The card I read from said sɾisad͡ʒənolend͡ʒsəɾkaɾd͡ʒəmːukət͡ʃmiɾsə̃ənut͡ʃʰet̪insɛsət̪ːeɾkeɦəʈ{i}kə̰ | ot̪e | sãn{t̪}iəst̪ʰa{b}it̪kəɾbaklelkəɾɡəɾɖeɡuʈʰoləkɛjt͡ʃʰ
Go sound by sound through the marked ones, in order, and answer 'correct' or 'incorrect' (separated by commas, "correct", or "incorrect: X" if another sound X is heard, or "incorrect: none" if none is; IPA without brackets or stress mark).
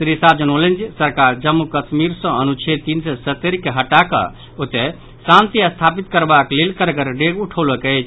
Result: incorrect: a, correct, incorrect: p